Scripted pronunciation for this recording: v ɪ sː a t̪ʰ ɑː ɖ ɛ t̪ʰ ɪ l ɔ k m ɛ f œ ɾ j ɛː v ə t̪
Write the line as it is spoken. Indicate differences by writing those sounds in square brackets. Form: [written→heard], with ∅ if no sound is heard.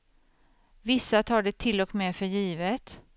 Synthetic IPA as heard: v ɪ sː a t̪ʰ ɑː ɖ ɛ t̪ʰ ɪ l ɔ k m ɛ f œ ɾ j [ɛː→iː] v ə t̪